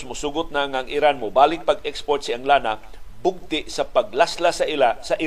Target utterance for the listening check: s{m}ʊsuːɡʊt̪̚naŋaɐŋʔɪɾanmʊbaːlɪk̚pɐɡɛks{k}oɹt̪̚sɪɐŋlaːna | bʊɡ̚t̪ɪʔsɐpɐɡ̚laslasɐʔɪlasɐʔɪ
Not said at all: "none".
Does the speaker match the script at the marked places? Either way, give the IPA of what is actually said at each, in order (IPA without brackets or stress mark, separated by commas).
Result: m, p